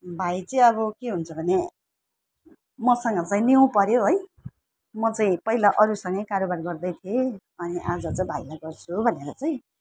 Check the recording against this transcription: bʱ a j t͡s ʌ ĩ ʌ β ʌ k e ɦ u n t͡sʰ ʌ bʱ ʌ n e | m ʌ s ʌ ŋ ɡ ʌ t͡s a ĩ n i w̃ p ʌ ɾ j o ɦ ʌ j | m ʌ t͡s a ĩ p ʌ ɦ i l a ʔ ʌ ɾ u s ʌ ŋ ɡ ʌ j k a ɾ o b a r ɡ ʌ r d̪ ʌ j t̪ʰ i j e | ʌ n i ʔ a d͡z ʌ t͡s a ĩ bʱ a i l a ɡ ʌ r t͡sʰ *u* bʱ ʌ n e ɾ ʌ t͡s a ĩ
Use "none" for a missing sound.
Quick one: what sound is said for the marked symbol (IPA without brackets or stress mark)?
u